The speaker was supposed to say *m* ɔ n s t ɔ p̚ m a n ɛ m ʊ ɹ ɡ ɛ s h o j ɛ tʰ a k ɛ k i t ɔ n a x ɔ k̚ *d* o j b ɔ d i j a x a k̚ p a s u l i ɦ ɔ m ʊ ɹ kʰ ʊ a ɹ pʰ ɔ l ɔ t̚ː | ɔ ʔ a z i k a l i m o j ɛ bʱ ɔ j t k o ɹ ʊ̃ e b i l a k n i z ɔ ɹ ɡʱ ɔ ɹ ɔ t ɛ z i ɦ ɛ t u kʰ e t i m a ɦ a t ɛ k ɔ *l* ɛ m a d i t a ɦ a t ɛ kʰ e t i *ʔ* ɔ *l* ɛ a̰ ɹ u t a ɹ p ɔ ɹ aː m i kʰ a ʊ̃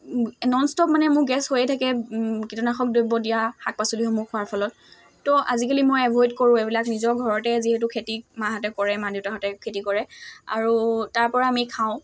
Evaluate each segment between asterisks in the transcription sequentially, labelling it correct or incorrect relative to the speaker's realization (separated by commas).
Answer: incorrect, correct, incorrect, incorrect, incorrect